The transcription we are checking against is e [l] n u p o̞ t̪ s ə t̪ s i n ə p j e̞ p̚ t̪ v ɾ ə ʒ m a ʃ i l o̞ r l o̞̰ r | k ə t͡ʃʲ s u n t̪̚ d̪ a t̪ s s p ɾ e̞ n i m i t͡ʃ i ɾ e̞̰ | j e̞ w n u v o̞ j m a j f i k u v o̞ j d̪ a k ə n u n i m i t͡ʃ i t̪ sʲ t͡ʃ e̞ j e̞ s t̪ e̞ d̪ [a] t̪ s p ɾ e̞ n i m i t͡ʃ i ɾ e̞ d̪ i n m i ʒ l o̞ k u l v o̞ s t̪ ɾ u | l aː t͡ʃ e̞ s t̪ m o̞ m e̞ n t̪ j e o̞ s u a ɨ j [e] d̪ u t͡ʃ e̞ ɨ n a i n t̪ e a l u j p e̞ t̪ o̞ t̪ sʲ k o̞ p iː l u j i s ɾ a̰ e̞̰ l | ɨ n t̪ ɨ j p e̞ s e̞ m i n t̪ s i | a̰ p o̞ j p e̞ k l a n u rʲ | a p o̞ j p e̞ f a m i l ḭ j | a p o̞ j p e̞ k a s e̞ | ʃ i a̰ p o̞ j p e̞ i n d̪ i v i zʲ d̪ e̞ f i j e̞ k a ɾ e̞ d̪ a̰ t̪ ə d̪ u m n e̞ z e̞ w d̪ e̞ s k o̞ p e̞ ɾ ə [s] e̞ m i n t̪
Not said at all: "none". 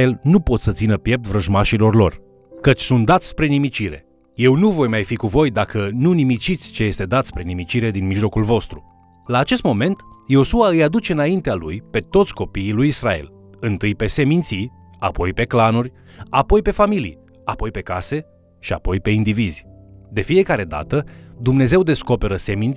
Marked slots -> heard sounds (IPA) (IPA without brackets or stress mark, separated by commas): l, a, a, s